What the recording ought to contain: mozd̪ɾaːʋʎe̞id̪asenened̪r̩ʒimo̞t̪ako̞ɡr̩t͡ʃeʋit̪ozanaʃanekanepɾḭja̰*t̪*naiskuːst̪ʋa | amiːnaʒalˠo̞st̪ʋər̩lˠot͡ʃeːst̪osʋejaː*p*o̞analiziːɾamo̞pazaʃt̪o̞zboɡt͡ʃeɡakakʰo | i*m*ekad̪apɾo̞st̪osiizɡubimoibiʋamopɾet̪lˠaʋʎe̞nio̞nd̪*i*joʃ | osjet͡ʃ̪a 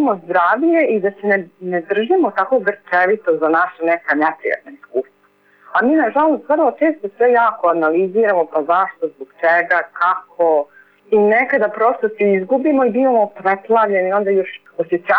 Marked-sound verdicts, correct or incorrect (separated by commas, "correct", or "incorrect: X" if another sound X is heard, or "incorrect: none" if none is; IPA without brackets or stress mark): correct, incorrect: k, incorrect: n, incorrect: a